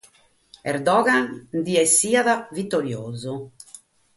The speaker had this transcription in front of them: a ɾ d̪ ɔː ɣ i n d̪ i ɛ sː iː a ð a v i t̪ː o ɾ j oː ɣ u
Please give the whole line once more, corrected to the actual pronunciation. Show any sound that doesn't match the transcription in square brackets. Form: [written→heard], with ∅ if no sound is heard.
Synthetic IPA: [a→ɛ] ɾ d̪ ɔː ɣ [i→a] n d̪ i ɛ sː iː a ð a v i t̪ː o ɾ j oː [ɣ→z] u